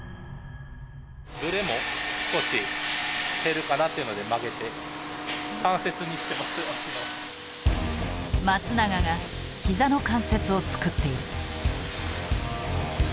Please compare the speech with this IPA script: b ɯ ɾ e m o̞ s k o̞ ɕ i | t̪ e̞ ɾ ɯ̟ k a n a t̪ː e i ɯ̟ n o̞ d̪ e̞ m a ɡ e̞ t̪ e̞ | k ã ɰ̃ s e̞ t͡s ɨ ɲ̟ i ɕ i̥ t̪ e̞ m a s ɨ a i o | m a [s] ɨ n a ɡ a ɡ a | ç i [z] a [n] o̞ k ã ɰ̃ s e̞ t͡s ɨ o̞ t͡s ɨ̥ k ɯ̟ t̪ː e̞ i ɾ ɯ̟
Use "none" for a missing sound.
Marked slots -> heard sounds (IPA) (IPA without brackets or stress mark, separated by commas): t͡s, z, n